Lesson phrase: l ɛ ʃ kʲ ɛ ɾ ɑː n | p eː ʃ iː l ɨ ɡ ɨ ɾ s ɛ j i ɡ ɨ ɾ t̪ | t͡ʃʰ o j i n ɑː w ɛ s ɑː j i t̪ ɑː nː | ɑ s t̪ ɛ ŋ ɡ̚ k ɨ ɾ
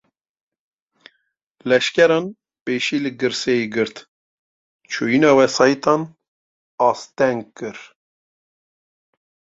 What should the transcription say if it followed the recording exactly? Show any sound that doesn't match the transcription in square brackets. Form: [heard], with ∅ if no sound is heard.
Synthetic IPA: l ɛ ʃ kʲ ɛ ɾ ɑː n | p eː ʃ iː l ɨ ɡ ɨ ɾ s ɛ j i ɡ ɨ ɾ t̪ | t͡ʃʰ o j i n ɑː w ɛ s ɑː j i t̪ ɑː [n] | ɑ s t̪ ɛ ŋ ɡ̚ k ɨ ɾ